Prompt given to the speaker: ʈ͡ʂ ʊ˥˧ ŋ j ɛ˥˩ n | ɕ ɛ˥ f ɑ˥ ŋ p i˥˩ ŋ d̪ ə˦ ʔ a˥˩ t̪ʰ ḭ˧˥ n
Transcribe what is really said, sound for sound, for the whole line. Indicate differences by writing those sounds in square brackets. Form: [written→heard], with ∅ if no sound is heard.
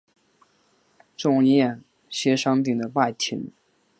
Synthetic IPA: ʈ͡ʂ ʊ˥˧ ŋ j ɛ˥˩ n | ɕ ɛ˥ [f→ʂ] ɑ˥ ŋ p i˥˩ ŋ d̪ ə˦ [ʔ→p] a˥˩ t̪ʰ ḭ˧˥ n